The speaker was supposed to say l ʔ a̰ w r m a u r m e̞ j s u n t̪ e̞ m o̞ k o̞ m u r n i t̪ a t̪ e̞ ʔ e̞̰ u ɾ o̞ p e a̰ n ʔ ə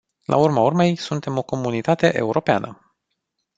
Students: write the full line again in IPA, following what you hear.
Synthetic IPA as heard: l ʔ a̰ u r m a u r m e̞ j s u n t̪ e̞ m o̞ k o̞ m u n i t̪ a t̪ e̞ ʔ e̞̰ u ɾ o̞ p e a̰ n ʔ ə